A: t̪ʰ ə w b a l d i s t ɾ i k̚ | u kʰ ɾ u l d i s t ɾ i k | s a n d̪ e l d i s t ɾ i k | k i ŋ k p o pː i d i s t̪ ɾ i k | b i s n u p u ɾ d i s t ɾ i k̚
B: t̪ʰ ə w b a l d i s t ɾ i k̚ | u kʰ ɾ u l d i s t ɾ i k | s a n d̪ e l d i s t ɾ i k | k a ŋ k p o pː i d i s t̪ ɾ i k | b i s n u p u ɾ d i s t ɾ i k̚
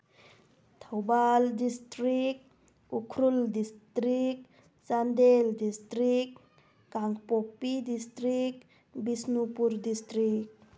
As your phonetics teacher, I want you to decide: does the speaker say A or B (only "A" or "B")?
B